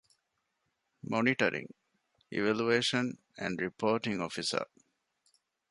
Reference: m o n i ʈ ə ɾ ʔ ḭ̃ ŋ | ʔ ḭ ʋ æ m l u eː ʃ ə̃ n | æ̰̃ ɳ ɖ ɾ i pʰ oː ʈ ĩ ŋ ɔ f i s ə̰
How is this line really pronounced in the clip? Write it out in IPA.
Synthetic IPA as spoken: m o n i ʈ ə ɾ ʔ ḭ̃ ŋ | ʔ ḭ ʋ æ l u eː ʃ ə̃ n | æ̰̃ ɳ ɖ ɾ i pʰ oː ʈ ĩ ŋ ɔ f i s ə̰